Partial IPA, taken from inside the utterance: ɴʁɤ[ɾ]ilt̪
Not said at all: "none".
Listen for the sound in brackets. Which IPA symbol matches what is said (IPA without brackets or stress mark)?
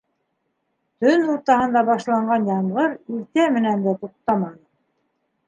ɾ